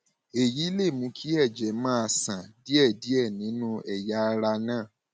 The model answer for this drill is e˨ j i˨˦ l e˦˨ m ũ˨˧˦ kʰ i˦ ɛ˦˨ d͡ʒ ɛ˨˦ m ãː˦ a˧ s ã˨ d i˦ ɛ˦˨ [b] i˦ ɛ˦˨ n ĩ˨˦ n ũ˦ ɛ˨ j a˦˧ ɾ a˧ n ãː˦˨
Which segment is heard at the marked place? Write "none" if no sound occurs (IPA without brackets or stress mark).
d